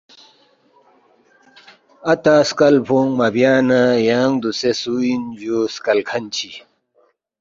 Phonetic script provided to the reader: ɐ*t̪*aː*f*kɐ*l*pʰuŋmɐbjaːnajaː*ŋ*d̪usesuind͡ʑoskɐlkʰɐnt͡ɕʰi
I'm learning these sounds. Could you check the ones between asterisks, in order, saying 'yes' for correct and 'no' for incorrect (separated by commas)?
yes, no, yes, yes